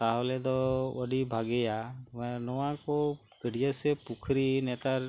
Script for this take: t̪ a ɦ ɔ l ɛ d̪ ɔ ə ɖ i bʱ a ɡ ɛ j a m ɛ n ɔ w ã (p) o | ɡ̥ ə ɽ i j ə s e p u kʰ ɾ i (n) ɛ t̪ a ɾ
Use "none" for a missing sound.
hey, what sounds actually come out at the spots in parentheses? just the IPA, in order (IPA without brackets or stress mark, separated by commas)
k, n